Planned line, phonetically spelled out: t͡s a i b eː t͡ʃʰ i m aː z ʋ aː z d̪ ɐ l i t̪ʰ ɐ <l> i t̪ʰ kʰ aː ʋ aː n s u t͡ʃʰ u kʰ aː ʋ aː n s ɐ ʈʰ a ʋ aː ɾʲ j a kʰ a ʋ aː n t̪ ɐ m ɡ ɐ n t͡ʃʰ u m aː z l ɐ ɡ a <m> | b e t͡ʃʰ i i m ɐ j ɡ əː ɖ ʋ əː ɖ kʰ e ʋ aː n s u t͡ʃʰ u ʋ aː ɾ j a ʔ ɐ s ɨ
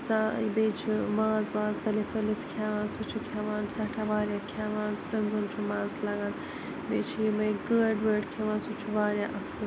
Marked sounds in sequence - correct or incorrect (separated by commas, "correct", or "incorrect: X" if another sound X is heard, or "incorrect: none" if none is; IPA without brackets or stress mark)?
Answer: correct, incorrect: n